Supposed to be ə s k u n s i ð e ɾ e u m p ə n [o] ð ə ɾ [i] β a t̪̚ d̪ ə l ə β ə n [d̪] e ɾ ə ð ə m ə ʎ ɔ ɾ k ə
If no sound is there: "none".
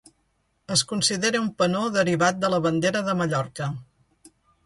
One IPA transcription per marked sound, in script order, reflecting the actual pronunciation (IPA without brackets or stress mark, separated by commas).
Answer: o, i, d̪